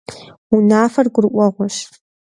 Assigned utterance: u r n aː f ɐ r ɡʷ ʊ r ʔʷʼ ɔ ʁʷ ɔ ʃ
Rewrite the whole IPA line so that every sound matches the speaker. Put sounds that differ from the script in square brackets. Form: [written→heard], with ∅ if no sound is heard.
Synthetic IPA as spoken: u [r→∅] n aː f ɐ r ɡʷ ʊ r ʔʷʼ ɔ ʁʷ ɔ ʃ

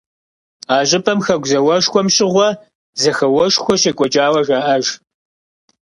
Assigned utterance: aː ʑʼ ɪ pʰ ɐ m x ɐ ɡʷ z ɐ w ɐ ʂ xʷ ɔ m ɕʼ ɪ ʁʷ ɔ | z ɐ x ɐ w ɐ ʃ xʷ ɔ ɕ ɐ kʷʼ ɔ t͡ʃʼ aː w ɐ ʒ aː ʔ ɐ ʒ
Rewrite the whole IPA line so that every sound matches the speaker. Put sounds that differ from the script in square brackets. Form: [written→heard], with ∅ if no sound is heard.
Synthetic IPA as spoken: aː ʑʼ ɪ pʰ ɐ m x ɐ ɡʷ z ɐ w ɐ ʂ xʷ ɔ m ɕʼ ɪ ʁʷ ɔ | z ɐ x ɐ w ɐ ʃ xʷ ɔ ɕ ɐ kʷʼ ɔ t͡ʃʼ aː w ɐ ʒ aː ʔ ɐ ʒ

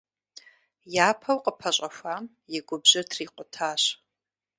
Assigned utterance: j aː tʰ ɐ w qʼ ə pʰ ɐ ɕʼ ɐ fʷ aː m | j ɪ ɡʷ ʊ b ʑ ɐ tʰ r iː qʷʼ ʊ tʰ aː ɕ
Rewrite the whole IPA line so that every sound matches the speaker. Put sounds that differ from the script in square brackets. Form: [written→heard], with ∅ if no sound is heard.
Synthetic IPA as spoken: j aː [tʰ→pʰ] ɐ w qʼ ə pʰ ɐ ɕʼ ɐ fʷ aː m | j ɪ ɡʷ ʊ b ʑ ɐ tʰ r iː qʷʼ ʊ tʰ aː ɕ

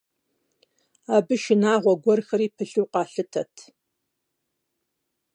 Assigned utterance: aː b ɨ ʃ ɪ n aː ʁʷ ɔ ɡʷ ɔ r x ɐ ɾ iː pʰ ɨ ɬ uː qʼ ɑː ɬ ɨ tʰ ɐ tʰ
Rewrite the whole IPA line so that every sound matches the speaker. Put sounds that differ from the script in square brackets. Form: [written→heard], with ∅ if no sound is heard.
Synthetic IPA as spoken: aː b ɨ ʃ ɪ n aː ʁʷ ɔ ɡʷ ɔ r x ɐ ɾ iː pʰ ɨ ɬ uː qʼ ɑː ɬ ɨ tʰ ɐ tʰ

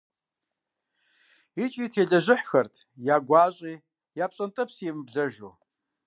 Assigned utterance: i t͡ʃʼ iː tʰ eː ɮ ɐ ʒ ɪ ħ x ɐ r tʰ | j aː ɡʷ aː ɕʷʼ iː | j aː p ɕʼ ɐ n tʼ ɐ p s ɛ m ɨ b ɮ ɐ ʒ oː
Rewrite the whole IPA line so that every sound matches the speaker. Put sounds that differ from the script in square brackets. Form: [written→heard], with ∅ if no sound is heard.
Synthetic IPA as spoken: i t͡ʃʼ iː tʰ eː ɮ ɐ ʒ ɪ ħ x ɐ r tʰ | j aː ɡʷ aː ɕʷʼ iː | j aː p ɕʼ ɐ n tʼ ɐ p s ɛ m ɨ b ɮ ɐ ʒ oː

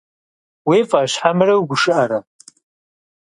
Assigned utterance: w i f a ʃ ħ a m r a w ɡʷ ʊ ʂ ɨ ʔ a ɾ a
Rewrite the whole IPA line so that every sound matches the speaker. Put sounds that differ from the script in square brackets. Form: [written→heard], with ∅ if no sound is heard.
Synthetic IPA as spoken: w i f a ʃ ħ a m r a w ɡʷ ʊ ʂ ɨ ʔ a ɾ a

